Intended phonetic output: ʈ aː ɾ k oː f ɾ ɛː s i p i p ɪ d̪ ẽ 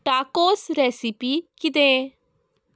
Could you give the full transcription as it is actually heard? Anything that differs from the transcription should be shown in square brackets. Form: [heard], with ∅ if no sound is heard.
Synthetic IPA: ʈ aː [∅] k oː [s] ɾ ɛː s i p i [k] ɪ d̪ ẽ